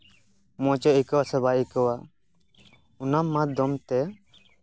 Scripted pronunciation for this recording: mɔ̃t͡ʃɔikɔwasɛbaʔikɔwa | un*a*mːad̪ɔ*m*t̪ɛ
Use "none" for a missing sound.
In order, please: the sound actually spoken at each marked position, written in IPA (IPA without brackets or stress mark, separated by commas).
a, m